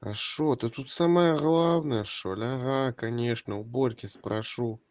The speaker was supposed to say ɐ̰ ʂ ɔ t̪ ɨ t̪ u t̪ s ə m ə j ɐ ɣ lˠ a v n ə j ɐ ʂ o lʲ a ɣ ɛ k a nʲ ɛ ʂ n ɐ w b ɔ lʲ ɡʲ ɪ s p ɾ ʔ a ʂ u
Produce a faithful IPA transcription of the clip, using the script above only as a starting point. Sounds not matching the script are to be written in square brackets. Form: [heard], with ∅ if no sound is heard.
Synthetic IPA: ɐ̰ ʂ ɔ t̪ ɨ t̪ u t̪ s [a] m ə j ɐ ɣ lˠ a [w] n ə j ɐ ʂ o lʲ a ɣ [a] k a nʲ ɛ ʂ n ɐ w b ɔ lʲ [kʲ] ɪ s p ɾ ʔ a ʂ u